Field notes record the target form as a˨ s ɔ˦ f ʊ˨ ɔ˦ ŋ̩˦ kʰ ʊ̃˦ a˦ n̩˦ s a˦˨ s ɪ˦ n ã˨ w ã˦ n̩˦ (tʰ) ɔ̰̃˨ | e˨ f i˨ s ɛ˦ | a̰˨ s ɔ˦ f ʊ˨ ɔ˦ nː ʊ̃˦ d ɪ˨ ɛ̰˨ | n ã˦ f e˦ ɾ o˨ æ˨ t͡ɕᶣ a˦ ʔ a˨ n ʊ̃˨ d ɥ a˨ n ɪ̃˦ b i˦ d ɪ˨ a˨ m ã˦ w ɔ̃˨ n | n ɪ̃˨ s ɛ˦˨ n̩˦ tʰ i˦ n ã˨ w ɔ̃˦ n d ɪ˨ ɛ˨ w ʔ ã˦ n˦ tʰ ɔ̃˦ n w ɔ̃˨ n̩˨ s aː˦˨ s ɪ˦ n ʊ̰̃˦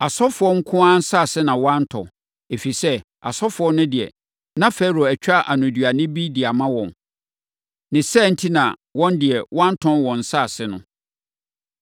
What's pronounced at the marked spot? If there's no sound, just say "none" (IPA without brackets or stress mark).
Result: tʰ